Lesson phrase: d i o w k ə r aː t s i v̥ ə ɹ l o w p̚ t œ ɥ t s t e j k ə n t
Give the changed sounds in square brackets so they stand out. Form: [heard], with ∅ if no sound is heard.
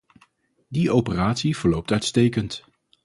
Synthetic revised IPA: d i o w [p] ə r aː t s i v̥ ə ɹ l o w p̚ t œ ɥ t s t e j k ə n t